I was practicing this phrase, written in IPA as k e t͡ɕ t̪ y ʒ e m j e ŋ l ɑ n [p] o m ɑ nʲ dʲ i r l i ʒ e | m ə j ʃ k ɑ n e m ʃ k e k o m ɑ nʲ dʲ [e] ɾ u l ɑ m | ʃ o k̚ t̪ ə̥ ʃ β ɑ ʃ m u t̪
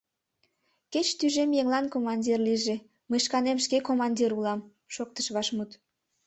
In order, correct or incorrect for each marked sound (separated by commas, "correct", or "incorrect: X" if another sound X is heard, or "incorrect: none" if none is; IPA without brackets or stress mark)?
incorrect: k, incorrect: i